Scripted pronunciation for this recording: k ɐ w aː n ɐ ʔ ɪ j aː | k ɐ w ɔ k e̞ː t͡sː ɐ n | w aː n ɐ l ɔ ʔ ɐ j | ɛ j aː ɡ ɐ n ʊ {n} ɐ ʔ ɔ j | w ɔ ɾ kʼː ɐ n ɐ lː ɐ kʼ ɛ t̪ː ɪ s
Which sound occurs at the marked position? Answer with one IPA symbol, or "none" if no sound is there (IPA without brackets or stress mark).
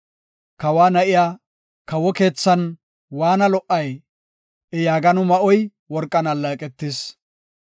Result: m